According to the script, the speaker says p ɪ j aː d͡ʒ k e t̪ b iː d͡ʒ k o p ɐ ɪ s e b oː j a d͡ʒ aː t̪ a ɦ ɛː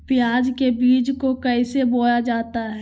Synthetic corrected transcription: p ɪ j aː d͡ʒ k e b iː d͡ʒ k o k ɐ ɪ s e b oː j a d͡ʒ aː t̪ a ɦ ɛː